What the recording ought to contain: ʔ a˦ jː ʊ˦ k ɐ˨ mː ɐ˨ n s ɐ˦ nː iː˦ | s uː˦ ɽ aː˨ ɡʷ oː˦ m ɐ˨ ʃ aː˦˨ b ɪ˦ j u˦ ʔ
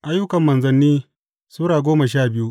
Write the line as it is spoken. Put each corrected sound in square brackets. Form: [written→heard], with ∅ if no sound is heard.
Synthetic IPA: ʔ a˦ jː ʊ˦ k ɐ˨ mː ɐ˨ n [s→z] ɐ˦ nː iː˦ | s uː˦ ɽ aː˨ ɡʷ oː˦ m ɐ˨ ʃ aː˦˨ b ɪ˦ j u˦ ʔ